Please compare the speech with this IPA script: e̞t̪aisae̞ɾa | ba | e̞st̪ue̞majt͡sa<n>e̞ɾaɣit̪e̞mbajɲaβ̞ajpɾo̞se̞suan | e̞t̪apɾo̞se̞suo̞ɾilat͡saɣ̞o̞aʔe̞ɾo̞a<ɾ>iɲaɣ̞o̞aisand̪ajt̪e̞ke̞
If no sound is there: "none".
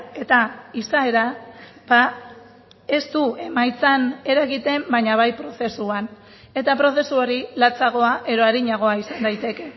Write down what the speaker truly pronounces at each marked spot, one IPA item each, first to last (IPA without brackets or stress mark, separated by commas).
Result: n, ɾ